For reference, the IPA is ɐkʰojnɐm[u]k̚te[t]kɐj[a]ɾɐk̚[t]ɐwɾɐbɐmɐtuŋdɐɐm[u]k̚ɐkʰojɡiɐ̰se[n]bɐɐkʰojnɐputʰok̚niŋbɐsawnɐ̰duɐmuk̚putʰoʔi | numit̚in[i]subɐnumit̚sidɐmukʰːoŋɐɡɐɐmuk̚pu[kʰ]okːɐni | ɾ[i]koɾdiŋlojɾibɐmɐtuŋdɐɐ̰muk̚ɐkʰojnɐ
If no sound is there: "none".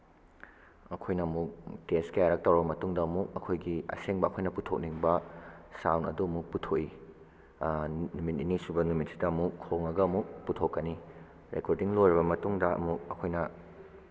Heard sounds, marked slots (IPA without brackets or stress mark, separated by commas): u, s, a, t, u, ŋ, i, tʰ, e